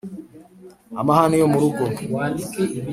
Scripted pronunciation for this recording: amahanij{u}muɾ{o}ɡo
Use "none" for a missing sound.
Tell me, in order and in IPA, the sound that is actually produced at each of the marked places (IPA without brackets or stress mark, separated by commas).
o, u